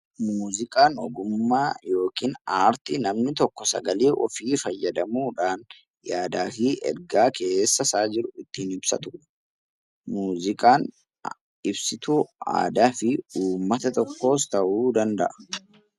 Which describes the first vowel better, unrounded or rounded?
rounded